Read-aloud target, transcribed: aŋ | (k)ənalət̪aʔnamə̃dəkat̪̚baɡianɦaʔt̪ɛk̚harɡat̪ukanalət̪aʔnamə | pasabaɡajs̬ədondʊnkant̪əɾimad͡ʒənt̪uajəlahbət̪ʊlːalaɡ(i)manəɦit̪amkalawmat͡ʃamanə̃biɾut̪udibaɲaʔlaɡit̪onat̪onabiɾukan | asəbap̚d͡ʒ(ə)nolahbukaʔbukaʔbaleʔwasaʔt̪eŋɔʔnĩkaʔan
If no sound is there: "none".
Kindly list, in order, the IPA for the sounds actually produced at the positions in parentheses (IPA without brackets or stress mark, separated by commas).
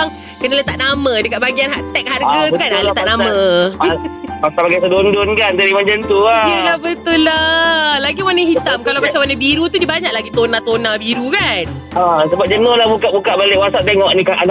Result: k, i, ə